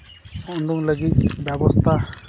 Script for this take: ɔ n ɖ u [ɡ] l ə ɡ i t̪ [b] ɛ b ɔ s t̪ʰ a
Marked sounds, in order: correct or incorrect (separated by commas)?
incorrect, correct